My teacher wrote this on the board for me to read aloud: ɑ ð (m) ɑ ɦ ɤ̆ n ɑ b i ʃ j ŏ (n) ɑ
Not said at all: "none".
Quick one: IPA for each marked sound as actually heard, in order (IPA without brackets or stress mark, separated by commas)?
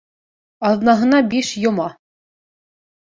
n, m